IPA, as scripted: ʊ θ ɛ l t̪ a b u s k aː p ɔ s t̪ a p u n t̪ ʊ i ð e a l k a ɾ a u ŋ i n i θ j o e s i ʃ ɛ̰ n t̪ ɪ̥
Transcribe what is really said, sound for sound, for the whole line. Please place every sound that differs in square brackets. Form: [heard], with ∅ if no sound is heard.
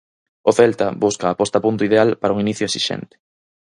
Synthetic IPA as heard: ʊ θ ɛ l t̪ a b u s k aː p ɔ s t̪ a p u n t̪ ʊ i ð e a l [p] a ɾ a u ŋ i n i θ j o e s i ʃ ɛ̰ n t̪ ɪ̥